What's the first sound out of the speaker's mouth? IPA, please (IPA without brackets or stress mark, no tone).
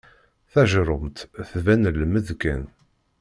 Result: θ